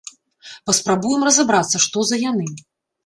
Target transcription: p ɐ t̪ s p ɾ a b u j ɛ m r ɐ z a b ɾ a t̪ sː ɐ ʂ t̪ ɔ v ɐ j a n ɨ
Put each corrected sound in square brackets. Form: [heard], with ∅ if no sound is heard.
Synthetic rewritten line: p ɐ [∅] s p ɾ a b u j ɛ m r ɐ z a b ɾ a t̪ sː ɐ ʂ t̪ ɔ [z] ɐ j a n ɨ